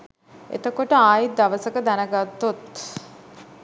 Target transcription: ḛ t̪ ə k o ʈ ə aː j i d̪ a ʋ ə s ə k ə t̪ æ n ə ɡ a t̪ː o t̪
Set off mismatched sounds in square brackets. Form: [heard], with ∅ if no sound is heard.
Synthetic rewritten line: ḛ t̪ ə k o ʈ ə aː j i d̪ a ʋ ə s ə k ə [d̪] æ n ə ɡ a t̪ː o t̪